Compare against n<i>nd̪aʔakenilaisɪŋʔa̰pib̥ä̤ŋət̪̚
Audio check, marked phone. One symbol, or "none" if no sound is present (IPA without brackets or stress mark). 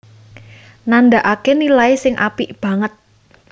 a